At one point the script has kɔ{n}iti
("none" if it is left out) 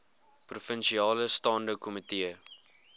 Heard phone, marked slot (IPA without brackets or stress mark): m